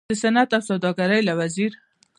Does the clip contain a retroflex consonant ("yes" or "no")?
no